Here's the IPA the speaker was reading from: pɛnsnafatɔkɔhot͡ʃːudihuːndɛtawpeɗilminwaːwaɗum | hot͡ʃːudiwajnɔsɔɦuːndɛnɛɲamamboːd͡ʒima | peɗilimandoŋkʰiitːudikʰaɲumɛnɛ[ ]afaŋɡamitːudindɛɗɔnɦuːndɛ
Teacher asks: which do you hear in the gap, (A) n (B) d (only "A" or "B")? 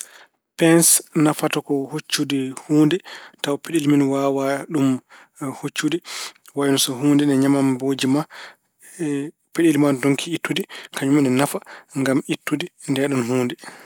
A